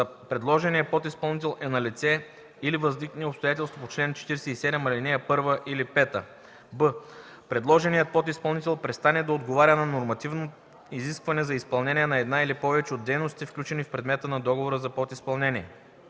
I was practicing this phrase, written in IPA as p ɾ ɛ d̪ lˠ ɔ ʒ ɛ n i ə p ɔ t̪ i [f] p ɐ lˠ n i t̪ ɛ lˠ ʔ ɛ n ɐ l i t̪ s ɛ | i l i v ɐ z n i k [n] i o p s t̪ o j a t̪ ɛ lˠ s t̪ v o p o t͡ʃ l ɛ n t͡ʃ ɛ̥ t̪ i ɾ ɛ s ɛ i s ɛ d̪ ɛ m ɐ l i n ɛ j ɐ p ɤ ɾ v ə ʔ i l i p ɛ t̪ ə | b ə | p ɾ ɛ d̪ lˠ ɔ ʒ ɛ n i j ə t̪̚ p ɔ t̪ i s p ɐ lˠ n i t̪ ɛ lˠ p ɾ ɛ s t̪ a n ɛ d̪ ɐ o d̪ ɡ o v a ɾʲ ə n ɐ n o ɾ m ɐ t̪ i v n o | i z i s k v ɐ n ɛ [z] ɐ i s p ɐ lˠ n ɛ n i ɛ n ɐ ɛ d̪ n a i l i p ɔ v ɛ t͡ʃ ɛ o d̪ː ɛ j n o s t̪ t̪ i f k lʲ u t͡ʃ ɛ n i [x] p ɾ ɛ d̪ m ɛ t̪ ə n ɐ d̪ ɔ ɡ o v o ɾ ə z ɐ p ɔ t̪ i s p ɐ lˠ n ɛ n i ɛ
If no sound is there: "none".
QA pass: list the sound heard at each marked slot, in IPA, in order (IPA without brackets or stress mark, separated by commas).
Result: s, n, z, f